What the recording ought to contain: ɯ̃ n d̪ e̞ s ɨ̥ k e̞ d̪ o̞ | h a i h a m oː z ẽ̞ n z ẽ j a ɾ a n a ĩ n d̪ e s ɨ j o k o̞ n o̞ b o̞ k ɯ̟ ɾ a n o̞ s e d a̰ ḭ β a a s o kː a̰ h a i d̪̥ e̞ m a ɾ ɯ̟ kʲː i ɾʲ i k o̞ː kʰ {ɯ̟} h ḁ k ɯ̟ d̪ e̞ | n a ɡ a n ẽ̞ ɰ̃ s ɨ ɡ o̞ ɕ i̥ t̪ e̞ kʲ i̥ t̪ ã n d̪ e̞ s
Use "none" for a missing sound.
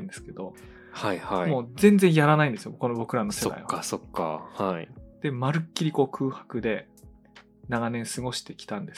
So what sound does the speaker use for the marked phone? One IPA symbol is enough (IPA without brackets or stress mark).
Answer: ɯ̟ː